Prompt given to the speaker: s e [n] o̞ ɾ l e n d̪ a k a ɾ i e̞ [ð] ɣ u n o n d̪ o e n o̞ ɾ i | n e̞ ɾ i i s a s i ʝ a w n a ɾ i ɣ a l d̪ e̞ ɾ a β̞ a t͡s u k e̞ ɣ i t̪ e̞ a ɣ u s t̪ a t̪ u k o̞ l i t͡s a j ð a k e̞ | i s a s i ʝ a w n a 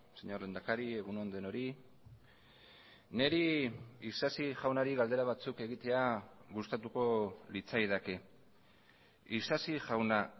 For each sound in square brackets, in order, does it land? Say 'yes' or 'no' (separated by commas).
no, no